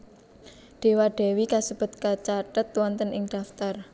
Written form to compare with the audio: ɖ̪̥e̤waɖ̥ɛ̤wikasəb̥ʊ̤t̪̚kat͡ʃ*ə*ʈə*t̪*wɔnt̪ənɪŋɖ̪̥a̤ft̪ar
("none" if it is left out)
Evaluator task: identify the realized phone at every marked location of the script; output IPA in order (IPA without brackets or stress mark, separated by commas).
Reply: a, t̪